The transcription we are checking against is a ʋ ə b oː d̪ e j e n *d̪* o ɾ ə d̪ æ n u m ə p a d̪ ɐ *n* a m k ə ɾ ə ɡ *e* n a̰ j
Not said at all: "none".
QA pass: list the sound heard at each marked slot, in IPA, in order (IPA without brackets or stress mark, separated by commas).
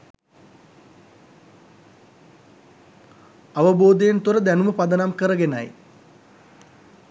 t̪, n, e